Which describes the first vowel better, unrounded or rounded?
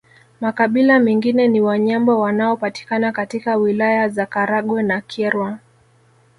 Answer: unrounded